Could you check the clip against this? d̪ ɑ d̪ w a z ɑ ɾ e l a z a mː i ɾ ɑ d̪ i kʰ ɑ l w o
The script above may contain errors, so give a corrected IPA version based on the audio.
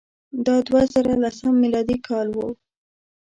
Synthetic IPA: d̪ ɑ d̪ w a z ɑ ɾ a l a s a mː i l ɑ d̪ i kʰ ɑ l w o